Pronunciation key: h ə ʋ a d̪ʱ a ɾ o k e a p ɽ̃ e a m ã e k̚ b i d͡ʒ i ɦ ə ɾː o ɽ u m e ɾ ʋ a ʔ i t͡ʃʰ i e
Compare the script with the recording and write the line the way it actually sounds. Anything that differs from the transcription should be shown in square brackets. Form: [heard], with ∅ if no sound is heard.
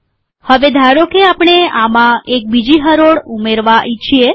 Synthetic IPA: h ə ʋ [e] d̪ʱ a ɾ o k e a p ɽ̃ e a m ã e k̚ b i d͡ʒ i ɦ ə [ɾ] o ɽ u m e ɾ ʋ a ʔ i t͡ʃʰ i e